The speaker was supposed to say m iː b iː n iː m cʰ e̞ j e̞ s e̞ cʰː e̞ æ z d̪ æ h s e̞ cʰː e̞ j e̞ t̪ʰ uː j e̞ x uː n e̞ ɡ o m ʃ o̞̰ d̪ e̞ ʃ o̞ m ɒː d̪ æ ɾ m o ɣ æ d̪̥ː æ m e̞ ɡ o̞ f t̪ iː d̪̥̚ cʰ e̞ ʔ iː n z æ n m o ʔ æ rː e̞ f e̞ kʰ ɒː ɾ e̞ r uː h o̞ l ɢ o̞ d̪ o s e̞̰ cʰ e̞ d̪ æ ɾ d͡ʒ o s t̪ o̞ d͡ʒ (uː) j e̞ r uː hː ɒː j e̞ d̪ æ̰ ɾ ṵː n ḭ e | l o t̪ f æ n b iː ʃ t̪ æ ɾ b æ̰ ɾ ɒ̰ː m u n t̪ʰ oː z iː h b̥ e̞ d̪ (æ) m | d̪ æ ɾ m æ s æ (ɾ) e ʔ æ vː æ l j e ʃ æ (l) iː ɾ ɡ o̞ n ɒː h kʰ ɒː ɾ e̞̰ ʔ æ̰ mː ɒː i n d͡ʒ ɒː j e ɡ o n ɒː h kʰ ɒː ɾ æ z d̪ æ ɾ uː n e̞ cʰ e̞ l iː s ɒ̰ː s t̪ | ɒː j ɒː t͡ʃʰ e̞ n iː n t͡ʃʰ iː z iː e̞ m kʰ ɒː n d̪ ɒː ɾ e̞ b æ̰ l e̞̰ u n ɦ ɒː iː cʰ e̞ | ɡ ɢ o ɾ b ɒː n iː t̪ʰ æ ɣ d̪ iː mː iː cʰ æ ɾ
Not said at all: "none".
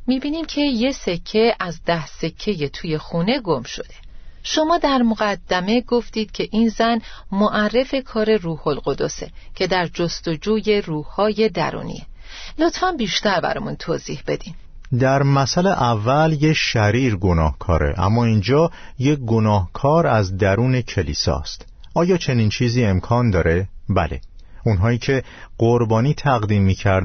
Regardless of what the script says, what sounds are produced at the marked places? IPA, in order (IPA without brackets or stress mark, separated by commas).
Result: uː, i, l, ɾ